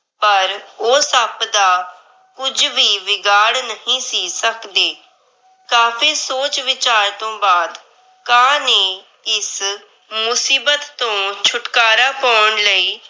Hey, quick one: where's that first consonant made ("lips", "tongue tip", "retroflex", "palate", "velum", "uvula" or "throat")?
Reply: lips